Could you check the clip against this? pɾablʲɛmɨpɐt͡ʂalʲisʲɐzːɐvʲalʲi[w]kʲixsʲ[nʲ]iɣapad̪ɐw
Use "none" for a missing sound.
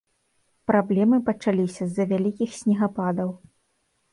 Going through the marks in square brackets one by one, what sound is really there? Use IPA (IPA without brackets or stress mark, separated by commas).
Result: none, nʲ